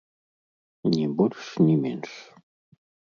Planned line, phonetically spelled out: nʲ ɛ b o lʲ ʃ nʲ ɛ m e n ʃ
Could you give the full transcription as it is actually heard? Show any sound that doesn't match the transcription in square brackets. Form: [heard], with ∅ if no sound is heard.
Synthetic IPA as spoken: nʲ [i] b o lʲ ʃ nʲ [i] m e n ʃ